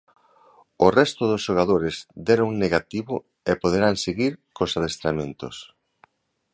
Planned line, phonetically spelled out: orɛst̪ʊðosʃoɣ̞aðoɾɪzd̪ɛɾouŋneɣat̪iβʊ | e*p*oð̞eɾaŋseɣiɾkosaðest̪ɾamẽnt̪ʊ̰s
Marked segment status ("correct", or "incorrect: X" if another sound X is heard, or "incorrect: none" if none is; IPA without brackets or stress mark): correct